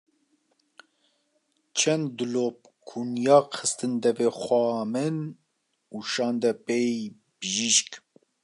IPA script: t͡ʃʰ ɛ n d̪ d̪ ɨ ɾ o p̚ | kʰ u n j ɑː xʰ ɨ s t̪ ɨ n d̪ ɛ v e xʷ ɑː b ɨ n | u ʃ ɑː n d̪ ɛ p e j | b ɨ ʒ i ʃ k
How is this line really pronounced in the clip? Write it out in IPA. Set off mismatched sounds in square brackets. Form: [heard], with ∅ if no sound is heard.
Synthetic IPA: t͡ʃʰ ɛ n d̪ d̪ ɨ [l] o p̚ | kʰ u n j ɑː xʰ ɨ s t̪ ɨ n d̪ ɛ v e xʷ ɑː [m] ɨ n | u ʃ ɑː n d̪ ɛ p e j | b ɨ ʒ i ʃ k